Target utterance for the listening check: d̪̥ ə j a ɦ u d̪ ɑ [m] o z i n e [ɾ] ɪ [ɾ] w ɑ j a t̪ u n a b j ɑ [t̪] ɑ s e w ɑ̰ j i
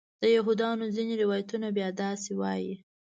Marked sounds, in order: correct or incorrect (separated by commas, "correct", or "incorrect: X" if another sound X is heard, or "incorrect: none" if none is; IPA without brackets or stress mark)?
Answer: incorrect: n, correct, incorrect: none, incorrect: d̪